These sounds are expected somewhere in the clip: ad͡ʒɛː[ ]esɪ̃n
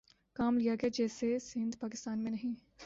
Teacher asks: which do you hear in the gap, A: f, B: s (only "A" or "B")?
B